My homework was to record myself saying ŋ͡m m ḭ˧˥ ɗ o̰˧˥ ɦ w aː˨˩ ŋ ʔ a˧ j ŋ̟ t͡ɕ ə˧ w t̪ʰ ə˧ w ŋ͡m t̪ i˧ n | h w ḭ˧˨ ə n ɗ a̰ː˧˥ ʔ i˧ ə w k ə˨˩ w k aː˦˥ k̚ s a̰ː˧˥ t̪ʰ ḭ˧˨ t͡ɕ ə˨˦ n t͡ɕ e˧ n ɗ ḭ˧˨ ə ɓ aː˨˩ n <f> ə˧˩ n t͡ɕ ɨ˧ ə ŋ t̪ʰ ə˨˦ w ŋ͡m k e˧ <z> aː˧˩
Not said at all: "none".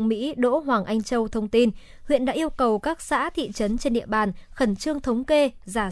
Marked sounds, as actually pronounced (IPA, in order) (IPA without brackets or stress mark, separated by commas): x, z